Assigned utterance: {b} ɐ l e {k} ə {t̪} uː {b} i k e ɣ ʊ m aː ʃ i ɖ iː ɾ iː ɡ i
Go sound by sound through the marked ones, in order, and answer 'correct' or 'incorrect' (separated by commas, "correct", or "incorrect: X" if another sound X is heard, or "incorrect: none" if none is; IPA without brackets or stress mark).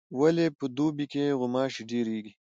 incorrect: w, incorrect: p, incorrect: d̪, correct